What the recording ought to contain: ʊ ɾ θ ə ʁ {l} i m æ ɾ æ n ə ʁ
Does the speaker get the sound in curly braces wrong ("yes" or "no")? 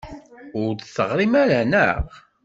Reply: yes